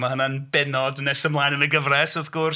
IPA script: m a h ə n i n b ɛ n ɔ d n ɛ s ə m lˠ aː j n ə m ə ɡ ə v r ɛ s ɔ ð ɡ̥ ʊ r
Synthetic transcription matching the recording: m a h ə n a n b ɛ n ɔ d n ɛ s ə m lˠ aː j n ə n ə ɡ ə v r ɛ s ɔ ð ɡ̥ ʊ r